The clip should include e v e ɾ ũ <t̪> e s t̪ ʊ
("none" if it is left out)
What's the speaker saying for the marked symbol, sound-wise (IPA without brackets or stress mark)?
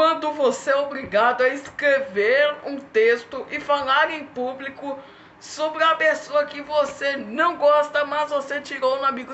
t̪